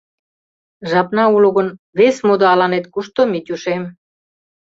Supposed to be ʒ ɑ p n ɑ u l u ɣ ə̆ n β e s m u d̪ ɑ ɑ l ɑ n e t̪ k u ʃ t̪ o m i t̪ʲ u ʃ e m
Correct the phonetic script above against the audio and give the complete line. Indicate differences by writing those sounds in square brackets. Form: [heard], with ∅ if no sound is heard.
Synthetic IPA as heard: ʒ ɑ p n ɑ u l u ɣ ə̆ n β e s m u d̪ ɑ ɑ l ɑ n e t̪ k u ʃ t̪ o m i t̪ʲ u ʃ e m